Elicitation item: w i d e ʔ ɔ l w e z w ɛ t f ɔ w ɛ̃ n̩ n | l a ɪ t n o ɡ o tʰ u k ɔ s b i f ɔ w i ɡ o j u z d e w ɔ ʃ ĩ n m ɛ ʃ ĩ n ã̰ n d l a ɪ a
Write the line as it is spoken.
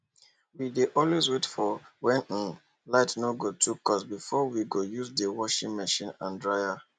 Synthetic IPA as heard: w i d e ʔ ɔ l w e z w e t f ɔ w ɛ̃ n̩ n | l a ɪ t n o ɡ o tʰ u k ɔ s b i f ɔ w i ɡ o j u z d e w ɔ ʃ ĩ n m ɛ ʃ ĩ n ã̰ n d ɹ a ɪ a